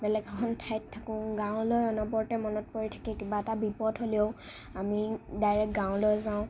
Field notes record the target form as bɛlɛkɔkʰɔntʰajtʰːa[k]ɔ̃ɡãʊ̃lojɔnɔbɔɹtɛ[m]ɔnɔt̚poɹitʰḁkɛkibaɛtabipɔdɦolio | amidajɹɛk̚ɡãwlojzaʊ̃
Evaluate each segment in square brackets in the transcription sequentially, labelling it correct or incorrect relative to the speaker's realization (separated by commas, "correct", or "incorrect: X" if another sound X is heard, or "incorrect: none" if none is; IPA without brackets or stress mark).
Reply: correct, correct